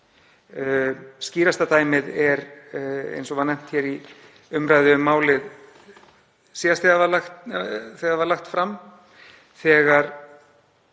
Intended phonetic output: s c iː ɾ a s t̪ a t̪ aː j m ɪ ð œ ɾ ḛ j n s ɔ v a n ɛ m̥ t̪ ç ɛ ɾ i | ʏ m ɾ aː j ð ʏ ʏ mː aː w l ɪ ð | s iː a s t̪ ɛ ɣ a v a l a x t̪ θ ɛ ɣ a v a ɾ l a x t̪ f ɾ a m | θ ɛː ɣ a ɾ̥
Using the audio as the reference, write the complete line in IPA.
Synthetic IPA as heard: s c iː ɾ a s t̪ a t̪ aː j m ɪ ð ɛ ɾ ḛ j n s ɔ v a n ɛ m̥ t̪ ç ɛ ɾ i | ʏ m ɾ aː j ð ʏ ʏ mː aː w l ɪ ð | s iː a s t̪ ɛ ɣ a v a l a x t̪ θ ɛ ɣ a v a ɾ l a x t̪ f ɾ a m | θ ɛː ɣ a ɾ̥